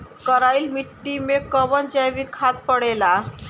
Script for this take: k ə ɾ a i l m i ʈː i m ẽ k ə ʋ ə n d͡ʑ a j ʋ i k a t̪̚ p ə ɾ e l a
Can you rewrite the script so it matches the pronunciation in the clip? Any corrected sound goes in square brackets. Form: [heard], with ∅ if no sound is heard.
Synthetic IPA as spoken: k ə ɾ a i l m i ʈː i m [e] k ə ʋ ə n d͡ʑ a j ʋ i [kʰ] a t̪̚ p ə [ɽ] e l a